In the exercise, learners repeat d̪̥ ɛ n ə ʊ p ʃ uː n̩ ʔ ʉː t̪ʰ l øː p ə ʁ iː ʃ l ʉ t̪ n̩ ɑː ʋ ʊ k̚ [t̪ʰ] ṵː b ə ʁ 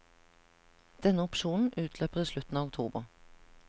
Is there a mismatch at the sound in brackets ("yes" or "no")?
no